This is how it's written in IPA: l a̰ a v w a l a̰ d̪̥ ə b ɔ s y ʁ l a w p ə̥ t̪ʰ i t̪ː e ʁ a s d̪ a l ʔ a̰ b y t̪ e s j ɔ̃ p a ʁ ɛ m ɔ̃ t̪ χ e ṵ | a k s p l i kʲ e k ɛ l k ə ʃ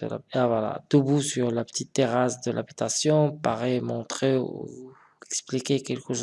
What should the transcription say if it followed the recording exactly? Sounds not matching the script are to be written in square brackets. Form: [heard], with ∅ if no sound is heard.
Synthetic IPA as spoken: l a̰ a v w a l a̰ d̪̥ ə b [u] s y ʁ l a [∅] p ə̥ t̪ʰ i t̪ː e ʁ a s d̪ [ə] l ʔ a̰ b [i] t̪ [a] s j ɔ̃ p a ʁ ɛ m ɔ̃ t̪ χ e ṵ | [ɛ] k s p l i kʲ e k ɛ l k ə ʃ